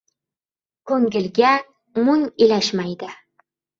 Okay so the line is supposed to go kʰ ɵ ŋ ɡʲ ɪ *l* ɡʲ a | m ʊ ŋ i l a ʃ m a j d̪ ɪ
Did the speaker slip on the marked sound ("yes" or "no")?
no